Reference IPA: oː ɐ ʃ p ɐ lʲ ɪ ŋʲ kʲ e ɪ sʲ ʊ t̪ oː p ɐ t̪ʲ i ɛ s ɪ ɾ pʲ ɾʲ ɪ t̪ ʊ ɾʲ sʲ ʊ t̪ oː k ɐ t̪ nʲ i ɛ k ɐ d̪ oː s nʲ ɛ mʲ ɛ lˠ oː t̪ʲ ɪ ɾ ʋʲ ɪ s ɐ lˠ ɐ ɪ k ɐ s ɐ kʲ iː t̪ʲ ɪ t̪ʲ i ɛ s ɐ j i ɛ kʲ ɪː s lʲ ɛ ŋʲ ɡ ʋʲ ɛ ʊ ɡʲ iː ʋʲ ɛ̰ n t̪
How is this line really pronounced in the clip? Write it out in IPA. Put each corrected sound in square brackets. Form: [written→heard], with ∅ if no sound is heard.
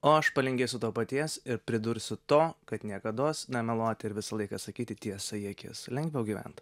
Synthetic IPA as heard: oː ɐ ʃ p ɐ lʲ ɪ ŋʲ [kʲ→ɡʲ] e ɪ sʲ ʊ t̪ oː p ɐ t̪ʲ i ɛ s ɪ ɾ pʲ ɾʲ ɪ [t̪→d̪] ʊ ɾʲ sʲ ʊ t̪ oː k ɐ t̪ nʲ i ɛ k ɐ d̪ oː s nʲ ɛ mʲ ɛ lˠ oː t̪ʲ ɪ ɾ ʋʲ ɪ s ɐ lˠ ɐ ɪ k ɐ s ɐ kʲ iː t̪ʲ ɪ t̪ʲ i ɛ s ɐ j i ɛ kʲ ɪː s lʲ ɛ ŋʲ ɡ ʋʲ ɛ ʊ ɡʲ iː ʋʲ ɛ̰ n t̪